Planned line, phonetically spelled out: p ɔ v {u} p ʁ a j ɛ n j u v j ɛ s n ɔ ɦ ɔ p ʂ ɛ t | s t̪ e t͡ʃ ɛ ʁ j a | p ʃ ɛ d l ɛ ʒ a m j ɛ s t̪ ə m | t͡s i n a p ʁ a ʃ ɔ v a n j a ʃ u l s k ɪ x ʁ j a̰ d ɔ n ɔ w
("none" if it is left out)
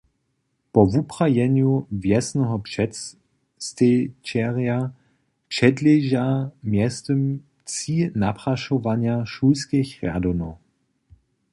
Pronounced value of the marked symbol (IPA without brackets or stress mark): u